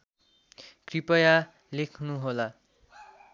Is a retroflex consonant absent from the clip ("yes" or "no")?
yes